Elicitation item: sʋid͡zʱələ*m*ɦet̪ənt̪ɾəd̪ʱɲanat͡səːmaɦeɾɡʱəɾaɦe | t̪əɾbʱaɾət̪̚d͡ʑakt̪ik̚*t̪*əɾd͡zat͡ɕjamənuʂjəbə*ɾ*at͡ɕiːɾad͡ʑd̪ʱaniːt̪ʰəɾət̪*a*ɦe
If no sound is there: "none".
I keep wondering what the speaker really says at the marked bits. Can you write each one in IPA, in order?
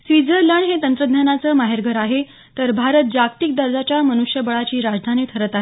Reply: ɳ, d̪, ɭ, a

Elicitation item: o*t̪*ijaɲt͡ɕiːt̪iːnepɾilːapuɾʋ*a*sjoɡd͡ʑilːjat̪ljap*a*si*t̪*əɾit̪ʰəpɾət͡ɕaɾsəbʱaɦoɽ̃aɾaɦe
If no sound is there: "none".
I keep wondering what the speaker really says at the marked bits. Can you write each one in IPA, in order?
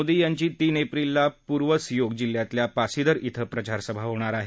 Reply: d̪, ə, a, d̪

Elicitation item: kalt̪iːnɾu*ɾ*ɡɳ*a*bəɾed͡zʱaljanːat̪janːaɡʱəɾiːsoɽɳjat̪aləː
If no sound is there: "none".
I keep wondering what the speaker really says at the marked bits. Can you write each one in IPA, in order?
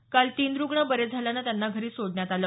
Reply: none, ə

